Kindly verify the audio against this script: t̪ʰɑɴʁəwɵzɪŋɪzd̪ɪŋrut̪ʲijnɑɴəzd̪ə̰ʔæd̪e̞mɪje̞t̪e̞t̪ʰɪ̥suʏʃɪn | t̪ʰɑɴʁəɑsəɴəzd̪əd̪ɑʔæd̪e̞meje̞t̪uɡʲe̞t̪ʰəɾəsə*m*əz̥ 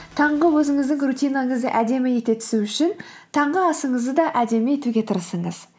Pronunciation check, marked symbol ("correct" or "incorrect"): incorrect